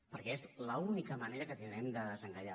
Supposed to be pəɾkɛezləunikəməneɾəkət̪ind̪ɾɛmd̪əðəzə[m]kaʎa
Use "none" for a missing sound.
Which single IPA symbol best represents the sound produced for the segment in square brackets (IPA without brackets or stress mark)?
ŋ